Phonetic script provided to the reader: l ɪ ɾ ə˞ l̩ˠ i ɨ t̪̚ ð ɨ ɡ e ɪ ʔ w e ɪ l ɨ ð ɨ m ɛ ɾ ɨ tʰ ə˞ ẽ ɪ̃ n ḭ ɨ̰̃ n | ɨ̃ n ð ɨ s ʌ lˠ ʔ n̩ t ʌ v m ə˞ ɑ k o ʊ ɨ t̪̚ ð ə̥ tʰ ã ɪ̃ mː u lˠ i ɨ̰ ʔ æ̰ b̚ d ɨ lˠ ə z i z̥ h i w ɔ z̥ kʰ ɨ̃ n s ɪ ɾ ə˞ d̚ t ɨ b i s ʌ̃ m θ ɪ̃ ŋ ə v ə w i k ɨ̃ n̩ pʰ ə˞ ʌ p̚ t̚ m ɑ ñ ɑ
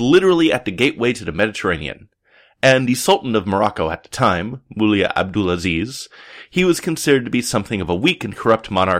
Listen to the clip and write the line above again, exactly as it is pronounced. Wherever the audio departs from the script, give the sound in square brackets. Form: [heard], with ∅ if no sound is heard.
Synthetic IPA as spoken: l ɪ ɾ ə˞ l̩ˠ i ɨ t̪̚ ð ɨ ɡ e ɪ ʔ w e ɪ [ɾ] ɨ ð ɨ m ɛ ɾ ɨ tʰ ə˞ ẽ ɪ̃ n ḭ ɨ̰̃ n | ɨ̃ n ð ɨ s ʌ lˠ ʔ n̩ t ʌ v m ə˞ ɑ k o ʊ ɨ t̪̚ ð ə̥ tʰ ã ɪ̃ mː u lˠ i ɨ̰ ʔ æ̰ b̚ d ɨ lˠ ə z i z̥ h i w [ʌ] z̥ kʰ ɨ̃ n s ɪ ɾ ə˞ d̚ t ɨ b i s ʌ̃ m θ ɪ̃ ŋ [ʌ] v ə w i k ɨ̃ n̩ [kʰ] ə˞ ʌ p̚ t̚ m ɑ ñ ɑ